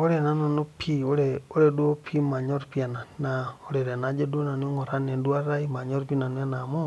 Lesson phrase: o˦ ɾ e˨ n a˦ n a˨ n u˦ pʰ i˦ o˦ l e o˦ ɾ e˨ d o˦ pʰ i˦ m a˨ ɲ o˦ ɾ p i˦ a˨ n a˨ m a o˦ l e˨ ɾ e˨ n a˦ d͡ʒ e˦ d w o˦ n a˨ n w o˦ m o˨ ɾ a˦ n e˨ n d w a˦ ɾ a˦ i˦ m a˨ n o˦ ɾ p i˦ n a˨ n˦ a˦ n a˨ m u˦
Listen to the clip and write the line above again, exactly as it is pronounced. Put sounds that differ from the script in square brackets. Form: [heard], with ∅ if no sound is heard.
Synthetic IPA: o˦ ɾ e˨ n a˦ n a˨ n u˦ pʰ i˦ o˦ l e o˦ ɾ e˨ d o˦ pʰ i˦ m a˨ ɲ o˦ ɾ p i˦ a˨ n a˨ [n] a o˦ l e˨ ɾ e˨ n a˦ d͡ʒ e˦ d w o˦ n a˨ n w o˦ [ŋ] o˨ ɾ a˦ n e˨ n d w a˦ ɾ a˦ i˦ m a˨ [ɲ] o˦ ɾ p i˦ n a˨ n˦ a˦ n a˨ m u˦